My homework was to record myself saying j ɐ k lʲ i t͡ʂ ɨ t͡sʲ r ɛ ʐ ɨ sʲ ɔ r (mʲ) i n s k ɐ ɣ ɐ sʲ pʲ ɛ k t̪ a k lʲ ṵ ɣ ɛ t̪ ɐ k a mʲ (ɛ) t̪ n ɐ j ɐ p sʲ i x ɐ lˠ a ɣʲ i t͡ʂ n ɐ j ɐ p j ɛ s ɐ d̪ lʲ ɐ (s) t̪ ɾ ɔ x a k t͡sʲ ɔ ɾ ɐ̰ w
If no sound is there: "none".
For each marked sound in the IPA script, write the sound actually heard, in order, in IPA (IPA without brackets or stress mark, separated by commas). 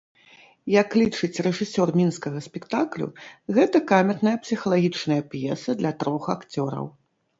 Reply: mʲ, ɛ, none